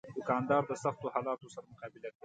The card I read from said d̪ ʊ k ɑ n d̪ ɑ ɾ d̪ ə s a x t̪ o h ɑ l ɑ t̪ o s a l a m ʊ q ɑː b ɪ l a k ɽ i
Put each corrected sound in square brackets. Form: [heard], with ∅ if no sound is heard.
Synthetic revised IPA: d̪ ʊ k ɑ n d̪ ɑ ɾ d̪ ə s a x t̪ o h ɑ l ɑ t̪ o s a [ɾ] a m ʊ q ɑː b ɪ l a k ɽ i